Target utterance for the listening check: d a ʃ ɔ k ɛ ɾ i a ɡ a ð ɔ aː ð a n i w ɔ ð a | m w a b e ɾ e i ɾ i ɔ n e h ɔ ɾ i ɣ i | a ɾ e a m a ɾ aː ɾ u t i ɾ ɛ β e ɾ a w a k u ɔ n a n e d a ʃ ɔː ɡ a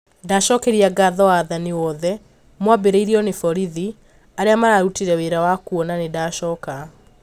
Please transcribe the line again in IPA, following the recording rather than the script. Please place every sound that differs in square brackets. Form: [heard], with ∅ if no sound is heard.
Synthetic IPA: d a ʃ ɔ k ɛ ɾ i a ɡ a ð ɔ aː ð a n i w ɔ ð [ɛ] | m w a b e ɾ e i ɾ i ɔ n e [f] ɔ ɾ i [ð] i | a ɾ e a m a ɾ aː ɾ u t i ɾ ɛ [w] e ɾ a w a k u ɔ n a n e d a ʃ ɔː [k] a

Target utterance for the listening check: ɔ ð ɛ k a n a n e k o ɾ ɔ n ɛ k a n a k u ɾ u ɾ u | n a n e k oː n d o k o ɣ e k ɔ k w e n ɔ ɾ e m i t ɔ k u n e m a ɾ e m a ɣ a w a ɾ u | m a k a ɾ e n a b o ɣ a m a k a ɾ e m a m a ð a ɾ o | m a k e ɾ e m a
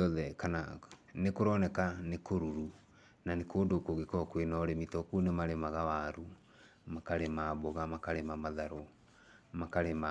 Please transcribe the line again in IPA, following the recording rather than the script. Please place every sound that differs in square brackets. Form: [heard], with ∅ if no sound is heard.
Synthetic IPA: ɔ ð ɛ k a n a n e k o ɾ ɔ n ɛ k a n [e] k [o] ɾ u ɾ u | n a n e k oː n d o k o ɣ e k ɔ k w e n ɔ ɾ e m i t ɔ k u n e m a ɾ e m a ɣ a w a ɾ u | m a k a ɾ e [m] a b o ɣ a m a k a ɾ e m a m a ð a ɾ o | m a k [a] ɾ e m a

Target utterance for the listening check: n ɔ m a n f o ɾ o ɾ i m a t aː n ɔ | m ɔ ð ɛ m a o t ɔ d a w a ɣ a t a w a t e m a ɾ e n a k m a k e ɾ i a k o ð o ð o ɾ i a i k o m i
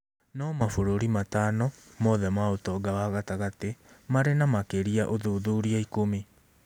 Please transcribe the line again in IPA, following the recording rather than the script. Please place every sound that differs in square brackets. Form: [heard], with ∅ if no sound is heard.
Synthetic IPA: n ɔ m a [∅] f o ɾ o ɾ i m a t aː n ɔ | m ɔ ð ɛ m a o t ɔ [ɡ] a w a ɣ a t a [ɣ] a t e m a ɾ e n a [∅] m a k e ɾ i a [ʔ] o ð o ð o ɾ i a i k o m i

